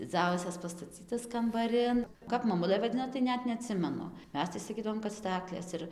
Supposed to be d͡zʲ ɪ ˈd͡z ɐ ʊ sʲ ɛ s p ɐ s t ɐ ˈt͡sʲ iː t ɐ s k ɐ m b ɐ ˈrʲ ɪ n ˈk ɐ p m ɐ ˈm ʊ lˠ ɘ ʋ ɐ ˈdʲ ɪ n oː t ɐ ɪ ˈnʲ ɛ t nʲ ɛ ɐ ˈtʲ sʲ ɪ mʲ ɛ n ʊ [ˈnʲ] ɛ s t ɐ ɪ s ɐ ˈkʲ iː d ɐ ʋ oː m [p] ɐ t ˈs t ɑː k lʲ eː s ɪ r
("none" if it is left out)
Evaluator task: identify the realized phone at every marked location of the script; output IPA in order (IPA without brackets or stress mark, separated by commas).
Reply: mʲ, k